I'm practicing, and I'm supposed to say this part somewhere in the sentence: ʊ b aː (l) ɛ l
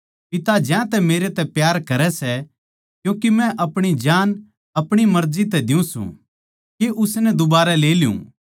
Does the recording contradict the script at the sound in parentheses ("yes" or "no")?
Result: yes